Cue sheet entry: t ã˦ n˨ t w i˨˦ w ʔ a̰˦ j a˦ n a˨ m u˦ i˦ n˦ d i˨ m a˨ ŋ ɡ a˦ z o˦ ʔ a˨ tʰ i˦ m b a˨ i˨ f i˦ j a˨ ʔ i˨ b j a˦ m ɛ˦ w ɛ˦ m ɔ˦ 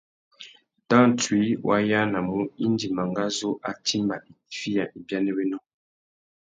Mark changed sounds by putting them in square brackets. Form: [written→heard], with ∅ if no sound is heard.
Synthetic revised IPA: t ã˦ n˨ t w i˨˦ w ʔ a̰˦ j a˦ n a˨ m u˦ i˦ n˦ d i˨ m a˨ ŋ ɡ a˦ z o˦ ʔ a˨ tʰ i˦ m b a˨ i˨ f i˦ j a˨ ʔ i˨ b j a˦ [m→n] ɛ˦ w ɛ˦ [m→n] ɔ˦